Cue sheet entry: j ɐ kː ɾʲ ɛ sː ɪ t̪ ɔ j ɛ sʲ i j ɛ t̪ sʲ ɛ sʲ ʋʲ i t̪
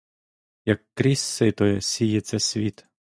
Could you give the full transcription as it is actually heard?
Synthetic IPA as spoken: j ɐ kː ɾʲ i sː ɪ t̪ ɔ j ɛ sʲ i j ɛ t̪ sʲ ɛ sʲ ʋʲ i t̪